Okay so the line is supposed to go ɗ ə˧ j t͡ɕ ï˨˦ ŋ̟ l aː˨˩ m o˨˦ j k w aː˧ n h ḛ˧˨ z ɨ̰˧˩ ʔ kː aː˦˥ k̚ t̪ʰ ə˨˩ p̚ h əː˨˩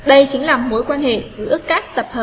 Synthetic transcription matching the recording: ɗ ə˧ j t͡ɕ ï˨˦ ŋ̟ l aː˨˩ m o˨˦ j k w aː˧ n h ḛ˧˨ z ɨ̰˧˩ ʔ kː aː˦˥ k̚ t̪ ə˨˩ p̚ h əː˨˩